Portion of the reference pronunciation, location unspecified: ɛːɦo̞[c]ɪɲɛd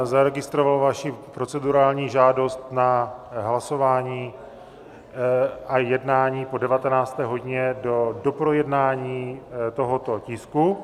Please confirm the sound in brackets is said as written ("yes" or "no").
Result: no